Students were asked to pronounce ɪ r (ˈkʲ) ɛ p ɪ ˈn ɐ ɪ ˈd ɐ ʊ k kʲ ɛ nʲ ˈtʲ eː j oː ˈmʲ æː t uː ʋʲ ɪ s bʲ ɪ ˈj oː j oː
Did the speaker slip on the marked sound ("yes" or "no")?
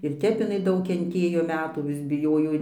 yes